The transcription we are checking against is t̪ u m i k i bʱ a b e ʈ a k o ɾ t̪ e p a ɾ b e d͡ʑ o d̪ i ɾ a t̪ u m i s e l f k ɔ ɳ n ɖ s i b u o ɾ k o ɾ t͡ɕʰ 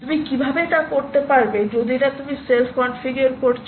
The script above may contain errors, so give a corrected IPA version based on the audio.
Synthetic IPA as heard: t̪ u m i k i bʱ a b e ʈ a k o ɾ t̪ e p a ɾ b e d͡ʑ o d̪ i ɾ a t̪ u m i s e l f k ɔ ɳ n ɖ f i ɡ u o ɾ k o ɾ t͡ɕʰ